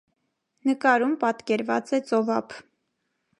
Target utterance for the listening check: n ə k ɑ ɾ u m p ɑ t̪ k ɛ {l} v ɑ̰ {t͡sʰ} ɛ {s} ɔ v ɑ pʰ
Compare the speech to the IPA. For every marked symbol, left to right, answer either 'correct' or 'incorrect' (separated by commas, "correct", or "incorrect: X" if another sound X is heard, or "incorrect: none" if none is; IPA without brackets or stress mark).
incorrect: ɾ, incorrect: t͡s, incorrect: t͡s